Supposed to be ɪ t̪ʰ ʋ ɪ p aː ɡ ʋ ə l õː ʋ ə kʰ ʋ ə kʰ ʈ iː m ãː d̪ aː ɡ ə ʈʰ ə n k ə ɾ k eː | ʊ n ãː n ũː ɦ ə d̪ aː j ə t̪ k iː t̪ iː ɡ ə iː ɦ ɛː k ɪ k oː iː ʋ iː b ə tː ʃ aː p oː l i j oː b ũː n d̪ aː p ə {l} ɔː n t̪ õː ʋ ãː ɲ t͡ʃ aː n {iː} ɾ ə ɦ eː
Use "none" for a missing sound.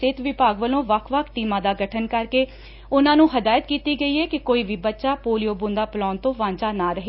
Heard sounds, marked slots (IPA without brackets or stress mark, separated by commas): l, aː